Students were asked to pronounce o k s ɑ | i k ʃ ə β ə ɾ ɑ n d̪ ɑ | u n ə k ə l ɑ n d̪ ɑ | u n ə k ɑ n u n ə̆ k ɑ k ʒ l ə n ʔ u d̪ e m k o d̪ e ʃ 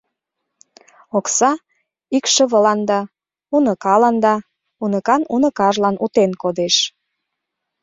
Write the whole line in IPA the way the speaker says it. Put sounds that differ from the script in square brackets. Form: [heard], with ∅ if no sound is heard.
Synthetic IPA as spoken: o k s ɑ | i k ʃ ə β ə [l] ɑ n d̪ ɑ | u n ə k [ɑ] l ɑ n d̪ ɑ | u n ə k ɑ n u n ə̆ k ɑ [∅] ʒ l [ɑ] n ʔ u [t̪] e [n] k o d̪ e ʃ

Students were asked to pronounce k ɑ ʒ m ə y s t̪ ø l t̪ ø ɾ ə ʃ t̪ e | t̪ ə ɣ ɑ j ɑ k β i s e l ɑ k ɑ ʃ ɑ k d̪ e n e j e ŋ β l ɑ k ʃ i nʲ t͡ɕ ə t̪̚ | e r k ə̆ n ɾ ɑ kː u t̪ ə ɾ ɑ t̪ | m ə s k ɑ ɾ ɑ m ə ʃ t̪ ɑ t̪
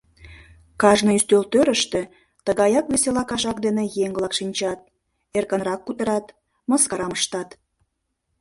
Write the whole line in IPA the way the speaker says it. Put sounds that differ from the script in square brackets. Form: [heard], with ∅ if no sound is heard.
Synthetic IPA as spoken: k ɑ ʒ [n] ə y s t̪ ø l t̪ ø ɾ ə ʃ t̪ e | t̪ ə ɣ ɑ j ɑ k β [e] s e l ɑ k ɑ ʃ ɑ k d̪ e n e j e ŋ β l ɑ k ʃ i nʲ t͡ɕ [ɑ] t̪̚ | e r k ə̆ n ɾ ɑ kː u t̪ ə ɾ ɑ t̪ | m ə s k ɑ ɾ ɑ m ə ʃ t̪ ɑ t̪

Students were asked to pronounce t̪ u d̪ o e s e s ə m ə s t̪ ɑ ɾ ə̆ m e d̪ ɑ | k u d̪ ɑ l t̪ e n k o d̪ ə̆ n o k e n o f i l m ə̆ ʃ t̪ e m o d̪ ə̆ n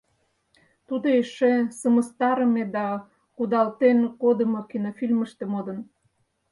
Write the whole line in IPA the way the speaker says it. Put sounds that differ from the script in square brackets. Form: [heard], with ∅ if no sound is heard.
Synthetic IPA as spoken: t̪ u d̪ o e [ʃ] e s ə m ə s t̪ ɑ ɾ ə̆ m e d̪ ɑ | k u d̪ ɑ l t̪ e n k o d̪ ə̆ [m] o k [i] n o f i l m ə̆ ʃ t̪ e m o d̪ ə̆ n

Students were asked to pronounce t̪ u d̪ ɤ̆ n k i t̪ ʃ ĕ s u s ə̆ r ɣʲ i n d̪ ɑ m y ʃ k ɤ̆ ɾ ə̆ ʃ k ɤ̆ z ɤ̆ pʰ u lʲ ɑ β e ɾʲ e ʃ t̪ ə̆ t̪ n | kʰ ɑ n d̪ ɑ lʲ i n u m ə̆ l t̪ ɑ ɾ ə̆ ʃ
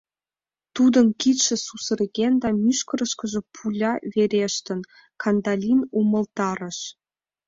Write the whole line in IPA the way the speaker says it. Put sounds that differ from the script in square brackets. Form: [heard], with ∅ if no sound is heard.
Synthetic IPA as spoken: t̪ u d̪ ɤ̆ n k i t̪ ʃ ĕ s u s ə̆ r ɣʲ [e] n d̪ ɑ m y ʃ k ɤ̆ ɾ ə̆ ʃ k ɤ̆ [ʒ] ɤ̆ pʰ u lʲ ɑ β e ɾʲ e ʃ t̪ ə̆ [∅] n | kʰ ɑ n d̪ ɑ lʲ i n u m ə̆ l t̪ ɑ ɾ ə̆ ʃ

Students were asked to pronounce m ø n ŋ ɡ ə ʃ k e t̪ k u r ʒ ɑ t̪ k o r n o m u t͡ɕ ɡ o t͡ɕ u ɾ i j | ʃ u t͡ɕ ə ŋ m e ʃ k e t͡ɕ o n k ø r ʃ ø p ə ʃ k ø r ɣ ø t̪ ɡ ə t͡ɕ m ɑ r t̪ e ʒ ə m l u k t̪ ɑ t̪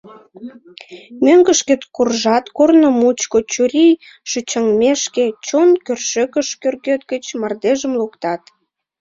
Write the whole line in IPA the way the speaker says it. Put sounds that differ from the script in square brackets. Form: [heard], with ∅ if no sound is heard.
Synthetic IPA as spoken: m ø [∅] ŋ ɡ ə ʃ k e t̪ k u r ʒ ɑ t̪ k o r n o m u t͡ɕ [k] o t͡ɕ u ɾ i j | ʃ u t͡ɕ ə ŋ m e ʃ k e t͡ɕ o n k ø r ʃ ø [k] ə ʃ k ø r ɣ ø t̪ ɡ ə t͡ɕ m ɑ r [d̪] e ʒ ə m l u k t̪ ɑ t̪

